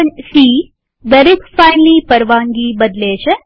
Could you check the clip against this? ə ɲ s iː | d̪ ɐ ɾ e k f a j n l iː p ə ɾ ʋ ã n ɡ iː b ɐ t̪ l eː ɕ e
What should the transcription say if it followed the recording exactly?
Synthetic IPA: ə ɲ s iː | d̪ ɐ ɾ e k f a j n l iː p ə ɾ ʋ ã ŋ ɡ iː b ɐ d̪ l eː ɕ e